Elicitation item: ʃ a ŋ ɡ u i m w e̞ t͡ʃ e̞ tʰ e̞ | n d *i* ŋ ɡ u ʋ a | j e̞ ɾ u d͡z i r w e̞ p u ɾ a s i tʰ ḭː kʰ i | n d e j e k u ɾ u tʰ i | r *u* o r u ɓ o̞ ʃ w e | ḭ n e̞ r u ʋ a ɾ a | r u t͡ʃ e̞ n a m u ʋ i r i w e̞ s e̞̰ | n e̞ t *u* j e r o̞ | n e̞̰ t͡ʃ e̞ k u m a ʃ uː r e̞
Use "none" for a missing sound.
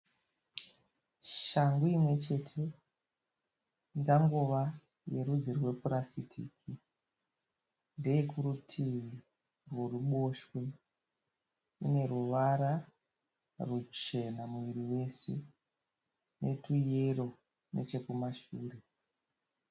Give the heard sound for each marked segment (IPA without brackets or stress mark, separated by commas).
a, w, u